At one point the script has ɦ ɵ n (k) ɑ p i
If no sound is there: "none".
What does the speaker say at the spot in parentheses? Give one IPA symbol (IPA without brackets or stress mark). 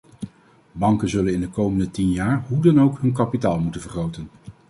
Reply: k